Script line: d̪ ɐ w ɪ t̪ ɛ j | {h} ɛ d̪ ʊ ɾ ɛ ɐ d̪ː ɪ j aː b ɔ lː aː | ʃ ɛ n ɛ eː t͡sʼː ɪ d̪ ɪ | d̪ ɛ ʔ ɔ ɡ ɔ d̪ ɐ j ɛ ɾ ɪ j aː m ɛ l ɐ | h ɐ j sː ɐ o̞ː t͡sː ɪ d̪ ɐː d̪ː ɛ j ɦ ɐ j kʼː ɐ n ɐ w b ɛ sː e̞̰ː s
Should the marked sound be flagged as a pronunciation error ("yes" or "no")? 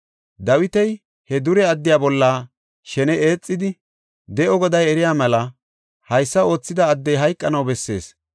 no